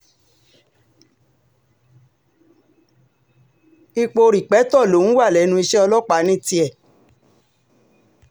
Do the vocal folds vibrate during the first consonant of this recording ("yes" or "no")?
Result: no